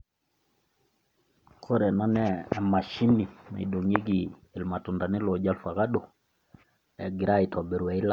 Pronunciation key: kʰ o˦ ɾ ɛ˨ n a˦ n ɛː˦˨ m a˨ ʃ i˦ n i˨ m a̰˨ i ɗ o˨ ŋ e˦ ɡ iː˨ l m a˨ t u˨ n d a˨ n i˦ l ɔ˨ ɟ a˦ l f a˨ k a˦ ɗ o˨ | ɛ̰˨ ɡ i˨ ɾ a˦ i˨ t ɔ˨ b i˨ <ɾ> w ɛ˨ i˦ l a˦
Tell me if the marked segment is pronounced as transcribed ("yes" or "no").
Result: yes